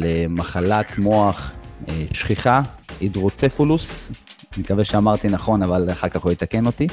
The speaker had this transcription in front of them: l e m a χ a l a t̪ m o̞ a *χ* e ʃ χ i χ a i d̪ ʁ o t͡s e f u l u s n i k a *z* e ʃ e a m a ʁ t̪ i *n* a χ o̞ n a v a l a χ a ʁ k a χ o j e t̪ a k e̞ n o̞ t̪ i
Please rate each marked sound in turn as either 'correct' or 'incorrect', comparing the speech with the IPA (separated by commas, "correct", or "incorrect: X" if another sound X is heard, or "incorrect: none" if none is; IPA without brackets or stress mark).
correct, incorrect: v, correct